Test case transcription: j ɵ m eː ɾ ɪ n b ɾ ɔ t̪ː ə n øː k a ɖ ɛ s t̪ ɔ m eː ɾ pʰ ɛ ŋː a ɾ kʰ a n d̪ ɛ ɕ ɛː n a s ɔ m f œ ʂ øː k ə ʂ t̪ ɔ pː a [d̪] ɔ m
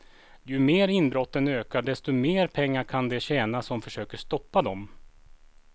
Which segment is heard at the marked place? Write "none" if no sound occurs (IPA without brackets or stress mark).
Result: d̪